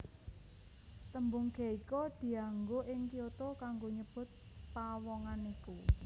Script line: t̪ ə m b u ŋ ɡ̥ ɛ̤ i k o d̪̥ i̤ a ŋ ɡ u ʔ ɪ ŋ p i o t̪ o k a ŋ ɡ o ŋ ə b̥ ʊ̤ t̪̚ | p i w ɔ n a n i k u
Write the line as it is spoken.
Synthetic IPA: t̪ ə m b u ŋ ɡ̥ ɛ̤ i k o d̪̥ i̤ a ŋ ɡ o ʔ ɪ ŋ k i o t̪ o k a ŋ ɡ o ɲ ə b̥ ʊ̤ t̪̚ | p a w ɔ ŋ a n i k u

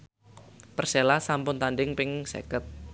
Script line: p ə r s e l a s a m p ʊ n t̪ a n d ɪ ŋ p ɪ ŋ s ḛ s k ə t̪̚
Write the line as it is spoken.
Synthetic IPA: p ə r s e l a s a m p ʊ n t̪ a n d ɪ ŋ p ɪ ŋ s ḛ k ə t̪̚

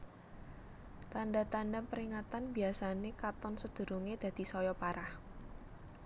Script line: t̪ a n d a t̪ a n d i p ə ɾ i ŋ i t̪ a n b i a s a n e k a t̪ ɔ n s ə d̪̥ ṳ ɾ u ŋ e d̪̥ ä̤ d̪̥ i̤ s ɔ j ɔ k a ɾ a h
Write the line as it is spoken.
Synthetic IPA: t̪ a n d a t̪ a n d a p ə ɾ i ŋ a t̪ a n b i a s a n e k a t̪ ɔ n s ə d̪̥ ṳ ɾ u ŋ e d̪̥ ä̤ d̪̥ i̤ s ɔ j ɔ p a ɾ a h

